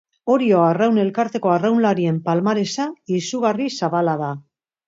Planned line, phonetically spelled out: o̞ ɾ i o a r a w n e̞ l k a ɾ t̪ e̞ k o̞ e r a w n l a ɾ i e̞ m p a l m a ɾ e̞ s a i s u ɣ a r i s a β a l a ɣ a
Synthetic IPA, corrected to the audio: o̞ ɾ i o a r a w n e̞ l k a ɾ t̪ e̞ k o̞ a r a w n l a ɾ i e̞ m p a l m a ɾ e̞ s a i s u ɣ a r i s a β a l a ð a